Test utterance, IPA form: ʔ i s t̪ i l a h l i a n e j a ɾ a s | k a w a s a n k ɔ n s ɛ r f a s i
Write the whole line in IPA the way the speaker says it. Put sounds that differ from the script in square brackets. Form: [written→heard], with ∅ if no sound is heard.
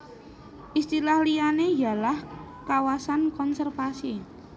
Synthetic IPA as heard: ʔ i s t̪ i l a h l i a n e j a [ɾ→l] a [s→h] | k a w a s a n k ɔ n s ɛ r f a s i